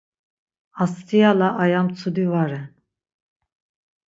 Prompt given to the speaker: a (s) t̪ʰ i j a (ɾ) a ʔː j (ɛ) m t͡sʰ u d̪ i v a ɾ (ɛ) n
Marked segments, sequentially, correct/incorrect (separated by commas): correct, incorrect, incorrect, correct